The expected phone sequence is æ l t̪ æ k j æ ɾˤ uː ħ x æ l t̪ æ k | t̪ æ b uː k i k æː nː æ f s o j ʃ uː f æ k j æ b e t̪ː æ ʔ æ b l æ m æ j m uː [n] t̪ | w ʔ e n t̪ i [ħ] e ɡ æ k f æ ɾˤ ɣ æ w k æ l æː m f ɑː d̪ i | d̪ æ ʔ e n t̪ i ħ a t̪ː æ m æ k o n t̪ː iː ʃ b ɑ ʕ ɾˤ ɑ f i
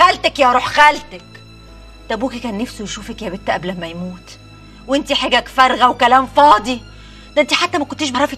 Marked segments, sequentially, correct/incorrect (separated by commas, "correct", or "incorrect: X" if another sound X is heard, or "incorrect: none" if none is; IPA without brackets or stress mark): incorrect: none, correct